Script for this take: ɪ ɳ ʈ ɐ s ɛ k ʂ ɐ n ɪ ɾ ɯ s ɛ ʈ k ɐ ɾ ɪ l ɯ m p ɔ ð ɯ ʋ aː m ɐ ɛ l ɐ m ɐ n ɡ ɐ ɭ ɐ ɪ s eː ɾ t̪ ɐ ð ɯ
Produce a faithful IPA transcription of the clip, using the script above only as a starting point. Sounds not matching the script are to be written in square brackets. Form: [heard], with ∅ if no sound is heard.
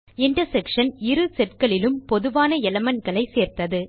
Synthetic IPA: ɪ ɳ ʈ ɐ s ɛ k ʂ ɐ n ɪ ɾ ɯ s ɛ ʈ k ɐ [ɭ] ɪ l ɯ m p ɔ ð ɯ ʋ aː [n] ɐ ɛ l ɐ m ɐ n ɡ ɐ ɭ ɐ ɪ s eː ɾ t̪ ɐ ð ɯ